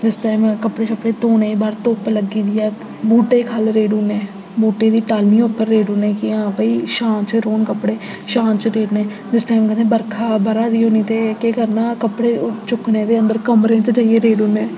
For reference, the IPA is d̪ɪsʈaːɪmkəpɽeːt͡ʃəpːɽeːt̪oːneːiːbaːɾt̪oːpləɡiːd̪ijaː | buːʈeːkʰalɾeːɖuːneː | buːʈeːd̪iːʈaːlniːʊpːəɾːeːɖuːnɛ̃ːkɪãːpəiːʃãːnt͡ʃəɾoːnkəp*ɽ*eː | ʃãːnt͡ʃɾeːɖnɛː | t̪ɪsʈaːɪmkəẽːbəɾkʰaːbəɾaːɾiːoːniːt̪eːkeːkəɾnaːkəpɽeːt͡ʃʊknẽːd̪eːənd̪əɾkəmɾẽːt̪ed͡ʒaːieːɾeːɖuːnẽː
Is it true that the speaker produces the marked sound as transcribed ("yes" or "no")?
yes